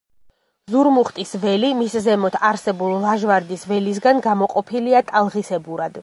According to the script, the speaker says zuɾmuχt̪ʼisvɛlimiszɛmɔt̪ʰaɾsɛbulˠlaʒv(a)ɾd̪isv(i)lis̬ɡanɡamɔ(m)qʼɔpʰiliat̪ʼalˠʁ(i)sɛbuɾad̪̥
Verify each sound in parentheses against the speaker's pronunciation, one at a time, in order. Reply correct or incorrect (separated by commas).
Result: correct, incorrect, incorrect, correct